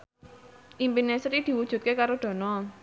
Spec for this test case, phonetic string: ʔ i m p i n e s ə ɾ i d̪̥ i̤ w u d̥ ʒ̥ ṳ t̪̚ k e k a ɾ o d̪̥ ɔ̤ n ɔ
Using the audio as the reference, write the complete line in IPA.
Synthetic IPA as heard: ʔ i m p i n e s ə ɾ i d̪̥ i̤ w u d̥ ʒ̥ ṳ t̪̚ k e k a ɾ o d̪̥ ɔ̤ n ɔ